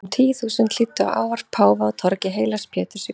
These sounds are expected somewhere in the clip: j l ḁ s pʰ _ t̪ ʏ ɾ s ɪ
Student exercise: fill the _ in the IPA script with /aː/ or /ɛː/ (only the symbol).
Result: ɛː